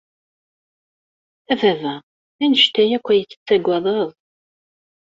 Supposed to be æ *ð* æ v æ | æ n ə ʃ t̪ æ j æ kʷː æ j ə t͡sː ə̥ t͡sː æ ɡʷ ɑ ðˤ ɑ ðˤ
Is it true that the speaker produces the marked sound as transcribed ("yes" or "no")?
no